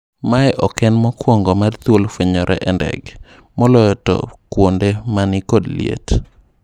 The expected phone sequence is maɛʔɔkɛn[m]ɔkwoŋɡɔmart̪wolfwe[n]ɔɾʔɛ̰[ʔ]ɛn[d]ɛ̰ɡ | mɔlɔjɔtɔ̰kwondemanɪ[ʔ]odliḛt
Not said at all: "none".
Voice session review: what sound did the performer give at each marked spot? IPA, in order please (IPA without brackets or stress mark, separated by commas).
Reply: m, ɲ, ʔ, d, k